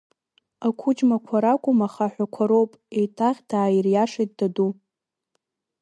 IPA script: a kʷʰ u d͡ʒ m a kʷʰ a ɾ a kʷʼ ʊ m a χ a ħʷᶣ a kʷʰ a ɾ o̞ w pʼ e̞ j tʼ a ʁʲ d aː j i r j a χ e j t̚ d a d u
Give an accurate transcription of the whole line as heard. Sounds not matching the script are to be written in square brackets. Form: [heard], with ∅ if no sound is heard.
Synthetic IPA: a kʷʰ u d͡ʒ m a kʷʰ a ɾ a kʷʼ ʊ m a χ a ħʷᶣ a kʷʰ a ɾ o̞ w pʼ e̞ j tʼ a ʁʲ d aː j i r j a [ʂ] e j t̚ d a d u